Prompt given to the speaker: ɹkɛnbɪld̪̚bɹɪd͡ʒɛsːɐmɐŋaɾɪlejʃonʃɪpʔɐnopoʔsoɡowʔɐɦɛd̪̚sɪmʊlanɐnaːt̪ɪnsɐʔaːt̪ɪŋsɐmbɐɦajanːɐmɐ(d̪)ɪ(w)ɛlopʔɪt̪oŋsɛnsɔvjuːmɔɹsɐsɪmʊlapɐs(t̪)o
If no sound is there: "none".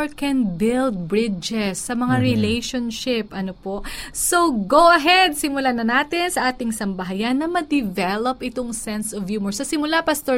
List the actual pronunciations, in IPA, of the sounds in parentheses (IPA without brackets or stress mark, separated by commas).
d̪, v, t̪